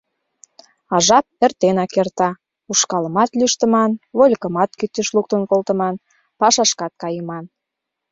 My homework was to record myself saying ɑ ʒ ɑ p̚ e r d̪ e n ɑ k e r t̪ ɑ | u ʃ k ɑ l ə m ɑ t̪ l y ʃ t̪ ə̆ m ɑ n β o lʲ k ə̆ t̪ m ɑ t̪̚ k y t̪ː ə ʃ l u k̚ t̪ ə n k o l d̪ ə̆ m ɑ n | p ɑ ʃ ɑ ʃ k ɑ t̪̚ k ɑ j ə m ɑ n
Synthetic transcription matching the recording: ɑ ʒ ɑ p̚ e r t̪ e n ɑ k e r t̪ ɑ | u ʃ k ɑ l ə m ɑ t̪ l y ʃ t̪ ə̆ m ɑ n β o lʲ k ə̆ m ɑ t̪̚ k y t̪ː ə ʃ l u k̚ t̪ ə n k o l t̪ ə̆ m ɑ n | p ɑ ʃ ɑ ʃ k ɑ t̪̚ k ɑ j ə m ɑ n